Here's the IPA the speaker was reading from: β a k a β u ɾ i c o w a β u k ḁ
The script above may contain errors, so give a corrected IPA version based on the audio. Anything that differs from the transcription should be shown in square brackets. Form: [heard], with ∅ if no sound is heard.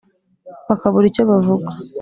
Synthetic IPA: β a k a β u ɾ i c o [β] a [v] u [ɡ] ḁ